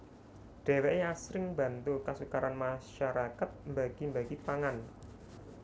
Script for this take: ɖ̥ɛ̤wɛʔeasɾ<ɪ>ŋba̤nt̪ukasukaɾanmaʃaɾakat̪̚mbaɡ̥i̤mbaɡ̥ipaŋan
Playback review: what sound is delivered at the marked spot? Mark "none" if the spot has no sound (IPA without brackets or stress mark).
ɪ